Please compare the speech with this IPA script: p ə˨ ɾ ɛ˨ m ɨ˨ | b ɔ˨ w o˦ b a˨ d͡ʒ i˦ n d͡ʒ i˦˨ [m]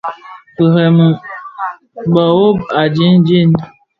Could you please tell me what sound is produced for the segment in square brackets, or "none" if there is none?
n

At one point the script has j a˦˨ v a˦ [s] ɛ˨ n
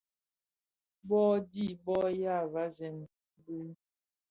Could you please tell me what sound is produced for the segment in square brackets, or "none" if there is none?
z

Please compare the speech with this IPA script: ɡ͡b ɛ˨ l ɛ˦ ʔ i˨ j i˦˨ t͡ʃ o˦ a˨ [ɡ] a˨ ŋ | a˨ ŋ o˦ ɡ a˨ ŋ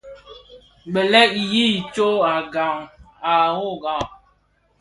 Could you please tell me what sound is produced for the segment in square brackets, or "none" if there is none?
ɡ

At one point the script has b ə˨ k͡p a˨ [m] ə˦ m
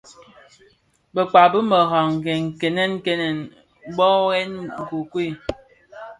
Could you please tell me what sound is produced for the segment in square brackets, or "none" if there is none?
b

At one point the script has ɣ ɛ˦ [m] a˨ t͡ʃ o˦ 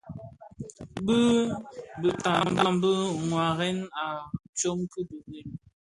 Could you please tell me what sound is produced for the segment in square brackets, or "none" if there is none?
n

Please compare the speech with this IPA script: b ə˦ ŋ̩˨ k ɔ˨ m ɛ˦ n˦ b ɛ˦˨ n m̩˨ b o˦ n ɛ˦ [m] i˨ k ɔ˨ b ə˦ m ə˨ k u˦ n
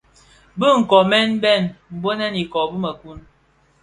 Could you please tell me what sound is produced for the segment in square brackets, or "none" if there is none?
n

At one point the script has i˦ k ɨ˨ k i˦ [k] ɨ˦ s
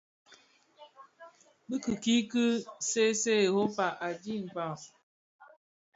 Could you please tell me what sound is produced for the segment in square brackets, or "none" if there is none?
k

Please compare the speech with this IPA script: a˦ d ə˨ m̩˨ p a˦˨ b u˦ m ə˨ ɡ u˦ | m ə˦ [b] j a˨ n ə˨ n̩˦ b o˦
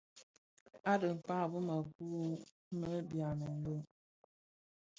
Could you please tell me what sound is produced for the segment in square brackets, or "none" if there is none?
b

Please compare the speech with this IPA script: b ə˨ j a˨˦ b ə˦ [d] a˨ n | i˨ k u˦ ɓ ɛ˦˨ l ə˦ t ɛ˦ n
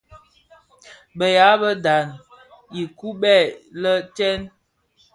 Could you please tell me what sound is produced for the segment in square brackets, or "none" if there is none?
d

